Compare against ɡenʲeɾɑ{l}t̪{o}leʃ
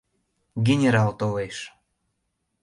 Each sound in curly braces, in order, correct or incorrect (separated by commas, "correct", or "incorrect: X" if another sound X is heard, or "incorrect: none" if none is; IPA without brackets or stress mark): correct, correct